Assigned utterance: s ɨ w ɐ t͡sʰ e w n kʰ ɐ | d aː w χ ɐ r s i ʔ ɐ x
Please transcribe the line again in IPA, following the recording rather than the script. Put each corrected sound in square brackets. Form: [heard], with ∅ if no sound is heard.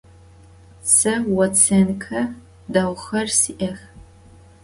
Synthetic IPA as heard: s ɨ w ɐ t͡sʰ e [∅] n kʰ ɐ | d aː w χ ɐ r s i ʔ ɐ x

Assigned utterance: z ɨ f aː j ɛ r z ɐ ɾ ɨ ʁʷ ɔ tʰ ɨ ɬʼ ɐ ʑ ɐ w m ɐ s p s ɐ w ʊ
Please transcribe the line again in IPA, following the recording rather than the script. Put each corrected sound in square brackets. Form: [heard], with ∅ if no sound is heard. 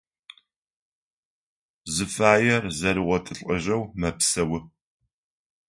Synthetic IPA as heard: z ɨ f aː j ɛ r z ɐ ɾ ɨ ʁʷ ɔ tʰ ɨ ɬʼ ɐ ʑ ɐ w m ɐ [∅] p s ɐ w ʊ

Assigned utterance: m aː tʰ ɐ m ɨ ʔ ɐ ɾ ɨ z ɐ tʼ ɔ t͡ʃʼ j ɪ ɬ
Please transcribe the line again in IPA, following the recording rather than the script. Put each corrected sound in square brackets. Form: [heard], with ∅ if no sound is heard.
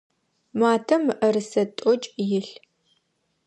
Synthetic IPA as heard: m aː tʰ ɐ m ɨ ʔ ɐ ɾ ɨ [s] ɐ tʼ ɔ t͡ʃʼ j ɪ ɬ

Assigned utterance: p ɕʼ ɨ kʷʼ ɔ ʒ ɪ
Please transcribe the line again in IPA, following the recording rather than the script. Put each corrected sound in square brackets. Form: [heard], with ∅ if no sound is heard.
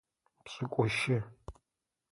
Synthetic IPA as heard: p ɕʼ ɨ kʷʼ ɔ [ʃ] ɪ

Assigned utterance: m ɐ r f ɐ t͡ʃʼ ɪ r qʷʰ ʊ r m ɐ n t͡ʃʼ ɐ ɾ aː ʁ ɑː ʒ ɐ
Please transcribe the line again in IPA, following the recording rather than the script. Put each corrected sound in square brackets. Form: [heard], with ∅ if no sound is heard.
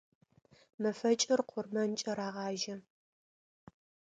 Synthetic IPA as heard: m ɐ [∅] f ɐ t͡ʃʼ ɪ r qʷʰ ʊ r m ɐ n t͡ʃʼ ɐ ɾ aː ʁ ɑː ʒ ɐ

